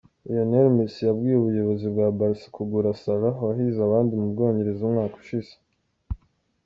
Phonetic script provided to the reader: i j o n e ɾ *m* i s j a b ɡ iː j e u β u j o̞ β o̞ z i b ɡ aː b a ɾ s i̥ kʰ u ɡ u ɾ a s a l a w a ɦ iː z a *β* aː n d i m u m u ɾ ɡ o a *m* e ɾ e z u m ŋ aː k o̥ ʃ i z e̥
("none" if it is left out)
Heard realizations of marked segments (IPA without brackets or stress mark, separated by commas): m, β, ɲ